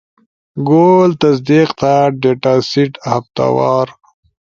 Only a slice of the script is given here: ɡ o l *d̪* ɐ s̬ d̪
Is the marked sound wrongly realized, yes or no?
yes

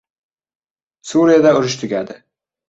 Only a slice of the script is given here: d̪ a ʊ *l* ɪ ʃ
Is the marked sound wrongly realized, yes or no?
yes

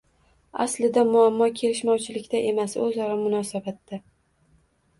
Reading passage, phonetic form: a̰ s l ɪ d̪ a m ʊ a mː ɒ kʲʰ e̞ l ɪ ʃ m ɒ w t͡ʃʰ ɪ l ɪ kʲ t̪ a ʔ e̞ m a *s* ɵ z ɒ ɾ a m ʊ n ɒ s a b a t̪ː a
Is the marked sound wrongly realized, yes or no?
no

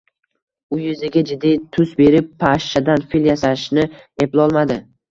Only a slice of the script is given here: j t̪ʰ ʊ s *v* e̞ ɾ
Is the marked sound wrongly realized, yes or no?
yes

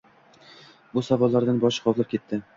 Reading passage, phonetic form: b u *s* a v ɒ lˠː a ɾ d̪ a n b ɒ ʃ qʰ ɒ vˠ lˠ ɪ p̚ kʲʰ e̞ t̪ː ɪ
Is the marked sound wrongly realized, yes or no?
no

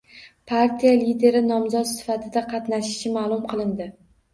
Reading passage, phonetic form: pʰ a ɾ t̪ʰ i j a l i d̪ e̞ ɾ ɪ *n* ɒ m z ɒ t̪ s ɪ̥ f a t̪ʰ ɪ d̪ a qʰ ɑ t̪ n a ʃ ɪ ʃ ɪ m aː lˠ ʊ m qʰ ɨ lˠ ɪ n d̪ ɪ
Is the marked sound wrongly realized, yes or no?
no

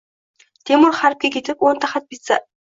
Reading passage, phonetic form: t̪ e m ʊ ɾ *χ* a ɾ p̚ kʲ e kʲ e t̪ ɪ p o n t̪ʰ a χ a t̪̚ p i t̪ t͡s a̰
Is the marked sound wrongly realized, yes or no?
no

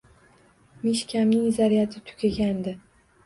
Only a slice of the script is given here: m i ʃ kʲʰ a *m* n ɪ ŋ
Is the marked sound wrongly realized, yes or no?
no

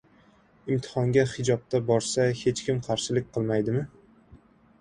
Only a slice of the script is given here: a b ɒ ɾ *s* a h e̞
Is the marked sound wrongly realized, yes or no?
no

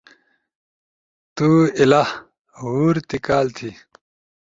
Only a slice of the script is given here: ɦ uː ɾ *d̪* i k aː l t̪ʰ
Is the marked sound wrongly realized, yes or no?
yes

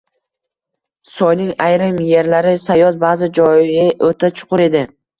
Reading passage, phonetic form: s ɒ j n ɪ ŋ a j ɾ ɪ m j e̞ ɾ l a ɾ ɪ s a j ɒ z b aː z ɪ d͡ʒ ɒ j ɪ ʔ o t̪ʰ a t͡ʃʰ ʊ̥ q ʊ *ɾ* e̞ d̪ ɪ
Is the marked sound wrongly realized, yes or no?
no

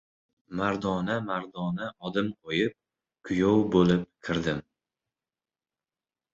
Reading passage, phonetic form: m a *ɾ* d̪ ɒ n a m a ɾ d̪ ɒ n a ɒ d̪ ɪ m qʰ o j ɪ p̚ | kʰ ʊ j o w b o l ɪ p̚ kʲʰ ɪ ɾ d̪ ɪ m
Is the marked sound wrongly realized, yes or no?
no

